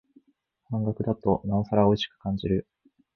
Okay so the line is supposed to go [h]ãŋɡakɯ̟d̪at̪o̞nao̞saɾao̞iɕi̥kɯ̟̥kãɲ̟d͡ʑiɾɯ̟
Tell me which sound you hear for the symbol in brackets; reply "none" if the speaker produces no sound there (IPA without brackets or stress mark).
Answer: h